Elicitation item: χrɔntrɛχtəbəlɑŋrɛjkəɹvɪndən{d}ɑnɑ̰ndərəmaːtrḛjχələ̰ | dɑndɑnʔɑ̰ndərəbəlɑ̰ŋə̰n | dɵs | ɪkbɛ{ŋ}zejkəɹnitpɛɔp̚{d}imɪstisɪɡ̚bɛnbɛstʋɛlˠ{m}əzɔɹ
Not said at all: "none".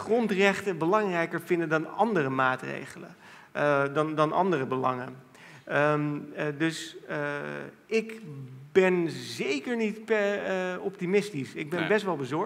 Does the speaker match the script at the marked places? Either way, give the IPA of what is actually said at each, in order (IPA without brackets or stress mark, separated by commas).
d, n, t, b